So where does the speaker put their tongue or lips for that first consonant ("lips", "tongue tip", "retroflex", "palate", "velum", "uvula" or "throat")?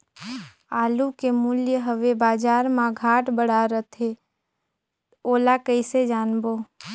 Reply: tongue tip